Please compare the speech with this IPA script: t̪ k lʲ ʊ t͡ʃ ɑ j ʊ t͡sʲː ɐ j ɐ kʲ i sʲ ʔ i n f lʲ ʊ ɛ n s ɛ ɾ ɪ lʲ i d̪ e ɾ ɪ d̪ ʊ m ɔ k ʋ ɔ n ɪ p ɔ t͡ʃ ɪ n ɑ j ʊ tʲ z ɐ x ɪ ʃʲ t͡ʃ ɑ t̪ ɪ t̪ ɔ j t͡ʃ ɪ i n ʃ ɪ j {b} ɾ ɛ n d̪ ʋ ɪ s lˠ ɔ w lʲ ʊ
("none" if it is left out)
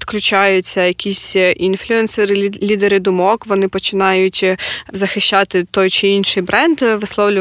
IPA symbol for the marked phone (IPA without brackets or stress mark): b